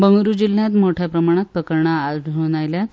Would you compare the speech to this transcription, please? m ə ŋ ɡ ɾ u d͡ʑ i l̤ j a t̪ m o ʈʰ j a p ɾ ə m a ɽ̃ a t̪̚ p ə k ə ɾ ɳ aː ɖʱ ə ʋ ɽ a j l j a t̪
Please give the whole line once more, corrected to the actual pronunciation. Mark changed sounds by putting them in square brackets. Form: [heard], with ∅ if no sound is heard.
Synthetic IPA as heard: [b] ə ŋ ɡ ɾ u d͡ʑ i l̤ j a t̪ m o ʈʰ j a p ɾ ə m a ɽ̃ a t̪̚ p ə k ə ɾ ɳ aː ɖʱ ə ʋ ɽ a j l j a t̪